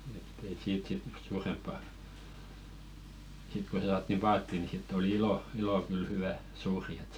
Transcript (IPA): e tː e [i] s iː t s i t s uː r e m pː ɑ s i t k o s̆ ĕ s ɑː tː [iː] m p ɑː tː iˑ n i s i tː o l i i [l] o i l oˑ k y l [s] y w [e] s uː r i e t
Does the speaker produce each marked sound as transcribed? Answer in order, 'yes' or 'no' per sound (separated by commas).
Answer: yes, no, yes, no, no